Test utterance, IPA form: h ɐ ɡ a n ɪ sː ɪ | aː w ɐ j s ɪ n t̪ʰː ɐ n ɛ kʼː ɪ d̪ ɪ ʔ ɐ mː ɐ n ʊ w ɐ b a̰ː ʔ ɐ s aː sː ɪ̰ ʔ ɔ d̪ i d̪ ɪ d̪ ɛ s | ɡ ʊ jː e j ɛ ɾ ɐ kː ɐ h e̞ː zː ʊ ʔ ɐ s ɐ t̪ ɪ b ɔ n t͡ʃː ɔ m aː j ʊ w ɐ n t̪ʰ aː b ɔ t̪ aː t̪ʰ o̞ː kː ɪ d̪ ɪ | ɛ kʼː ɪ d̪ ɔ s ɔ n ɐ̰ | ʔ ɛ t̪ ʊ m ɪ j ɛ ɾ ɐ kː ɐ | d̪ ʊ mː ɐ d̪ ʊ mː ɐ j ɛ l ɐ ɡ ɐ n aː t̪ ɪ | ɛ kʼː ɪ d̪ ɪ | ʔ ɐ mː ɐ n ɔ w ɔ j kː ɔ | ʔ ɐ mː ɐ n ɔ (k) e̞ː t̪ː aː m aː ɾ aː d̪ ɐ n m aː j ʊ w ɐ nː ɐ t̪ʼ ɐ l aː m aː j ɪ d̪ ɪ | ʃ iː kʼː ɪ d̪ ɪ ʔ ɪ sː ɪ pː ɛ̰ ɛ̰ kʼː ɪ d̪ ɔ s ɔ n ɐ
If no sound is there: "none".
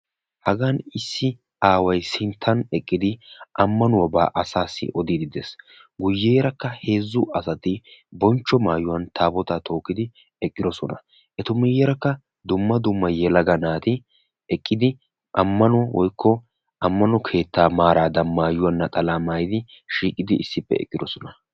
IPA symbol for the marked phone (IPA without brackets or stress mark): kʰ